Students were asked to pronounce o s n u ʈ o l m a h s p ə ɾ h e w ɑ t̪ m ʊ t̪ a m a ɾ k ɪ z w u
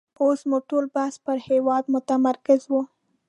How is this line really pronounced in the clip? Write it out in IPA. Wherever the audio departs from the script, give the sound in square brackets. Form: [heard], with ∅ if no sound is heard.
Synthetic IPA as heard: o s [m] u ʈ o l [b] a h s p ə ɾ h e w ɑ [d̪] m ʊ t̪ a m a ɾ k ɪ z w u